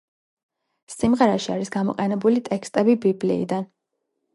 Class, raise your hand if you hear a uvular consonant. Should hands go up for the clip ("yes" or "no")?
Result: yes